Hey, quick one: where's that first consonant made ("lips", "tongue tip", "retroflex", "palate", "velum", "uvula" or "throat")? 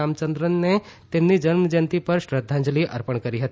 lips